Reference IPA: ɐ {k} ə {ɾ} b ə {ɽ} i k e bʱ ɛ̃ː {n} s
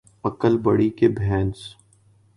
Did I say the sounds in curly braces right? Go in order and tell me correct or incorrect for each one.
correct, incorrect: l, correct, correct

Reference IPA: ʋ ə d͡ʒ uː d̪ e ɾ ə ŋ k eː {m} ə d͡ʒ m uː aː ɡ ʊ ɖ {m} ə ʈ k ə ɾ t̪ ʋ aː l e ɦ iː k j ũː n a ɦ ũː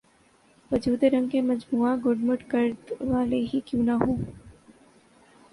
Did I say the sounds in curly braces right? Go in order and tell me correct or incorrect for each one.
correct, correct

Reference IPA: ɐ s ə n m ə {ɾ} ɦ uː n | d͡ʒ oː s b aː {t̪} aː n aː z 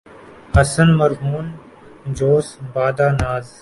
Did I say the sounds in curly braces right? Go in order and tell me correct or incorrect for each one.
correct, incorrect: d̪

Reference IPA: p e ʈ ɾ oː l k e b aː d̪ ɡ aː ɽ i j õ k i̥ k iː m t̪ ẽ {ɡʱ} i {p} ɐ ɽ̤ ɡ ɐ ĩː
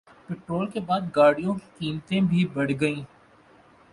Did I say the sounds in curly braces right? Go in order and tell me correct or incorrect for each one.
incorrect: bʱ, incorrect: b

